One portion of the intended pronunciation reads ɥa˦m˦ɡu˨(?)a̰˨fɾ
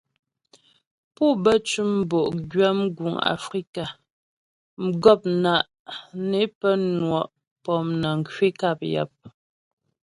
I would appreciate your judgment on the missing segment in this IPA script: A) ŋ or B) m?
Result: A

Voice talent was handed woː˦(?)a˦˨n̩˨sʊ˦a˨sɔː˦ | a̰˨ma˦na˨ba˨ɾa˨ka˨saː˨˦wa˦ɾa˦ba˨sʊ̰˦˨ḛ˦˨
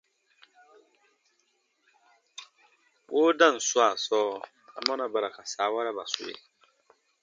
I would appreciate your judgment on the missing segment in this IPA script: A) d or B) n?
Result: A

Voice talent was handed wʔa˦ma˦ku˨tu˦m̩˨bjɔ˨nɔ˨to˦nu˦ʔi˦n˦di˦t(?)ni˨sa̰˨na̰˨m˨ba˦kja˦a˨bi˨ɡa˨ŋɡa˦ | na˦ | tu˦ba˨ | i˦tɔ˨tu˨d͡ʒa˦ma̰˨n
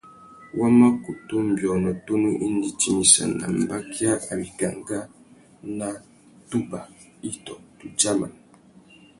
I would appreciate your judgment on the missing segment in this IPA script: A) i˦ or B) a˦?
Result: A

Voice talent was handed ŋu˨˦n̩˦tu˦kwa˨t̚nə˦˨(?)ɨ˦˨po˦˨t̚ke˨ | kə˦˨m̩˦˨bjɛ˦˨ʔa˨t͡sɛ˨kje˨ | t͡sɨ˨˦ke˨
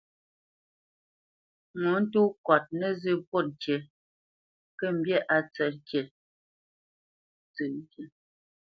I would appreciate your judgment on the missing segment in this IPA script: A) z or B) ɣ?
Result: A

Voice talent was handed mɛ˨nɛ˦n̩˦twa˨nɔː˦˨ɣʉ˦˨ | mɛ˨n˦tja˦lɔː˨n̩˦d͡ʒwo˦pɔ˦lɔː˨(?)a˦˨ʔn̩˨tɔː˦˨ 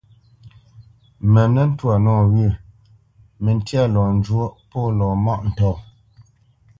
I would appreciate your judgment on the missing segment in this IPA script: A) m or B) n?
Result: A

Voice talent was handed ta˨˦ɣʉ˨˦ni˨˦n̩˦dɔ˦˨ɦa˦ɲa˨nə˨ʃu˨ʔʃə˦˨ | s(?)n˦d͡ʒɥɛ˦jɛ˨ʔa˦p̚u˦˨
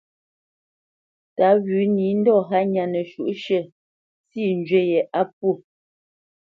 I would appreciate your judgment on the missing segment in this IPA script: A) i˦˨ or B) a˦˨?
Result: A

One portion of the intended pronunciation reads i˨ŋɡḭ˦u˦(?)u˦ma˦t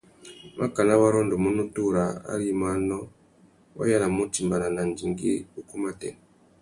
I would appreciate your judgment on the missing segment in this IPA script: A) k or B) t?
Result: A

